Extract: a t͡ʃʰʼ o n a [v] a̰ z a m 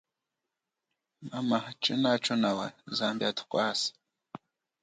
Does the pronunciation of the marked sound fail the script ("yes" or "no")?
yes